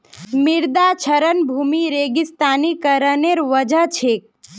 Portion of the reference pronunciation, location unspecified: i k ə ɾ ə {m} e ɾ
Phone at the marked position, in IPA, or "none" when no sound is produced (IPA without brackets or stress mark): n